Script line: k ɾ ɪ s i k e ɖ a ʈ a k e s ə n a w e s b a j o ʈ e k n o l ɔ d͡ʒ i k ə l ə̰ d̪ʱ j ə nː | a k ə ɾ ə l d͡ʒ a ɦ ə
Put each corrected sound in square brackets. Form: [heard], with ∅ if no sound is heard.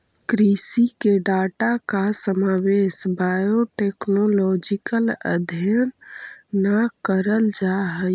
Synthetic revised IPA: k ɾ [i] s i k e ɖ a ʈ a k [a] s ə [m] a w e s b a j o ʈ e k n o l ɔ d͡ʒ i k ə l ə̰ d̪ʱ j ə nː | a k ə ɾ ə l d͡ʒ a ɦ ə